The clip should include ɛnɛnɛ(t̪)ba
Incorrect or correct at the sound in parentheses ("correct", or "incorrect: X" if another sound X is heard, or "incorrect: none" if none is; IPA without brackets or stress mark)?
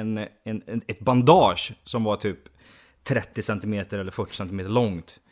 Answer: correct